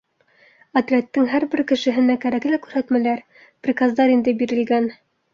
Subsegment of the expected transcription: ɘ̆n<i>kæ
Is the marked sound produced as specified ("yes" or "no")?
no